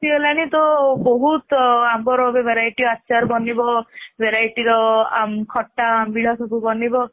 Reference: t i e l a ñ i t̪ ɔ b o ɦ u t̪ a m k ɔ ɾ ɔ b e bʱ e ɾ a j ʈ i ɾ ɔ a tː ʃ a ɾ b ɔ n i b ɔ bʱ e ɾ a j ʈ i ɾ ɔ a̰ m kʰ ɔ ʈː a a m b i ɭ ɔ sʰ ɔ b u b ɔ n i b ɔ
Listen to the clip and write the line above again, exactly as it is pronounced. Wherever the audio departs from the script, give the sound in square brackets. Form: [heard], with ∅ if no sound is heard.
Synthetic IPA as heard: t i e l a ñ i t̪ ɔ b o ɦ u t̪ a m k ɔ ɾ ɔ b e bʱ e ɾ a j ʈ i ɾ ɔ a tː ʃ a ɾ b ɔ n i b ɔ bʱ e ɾ a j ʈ i ɾ ɔ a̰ m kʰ ɔ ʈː a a m b i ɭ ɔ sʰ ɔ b u b ɔ n i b ɔ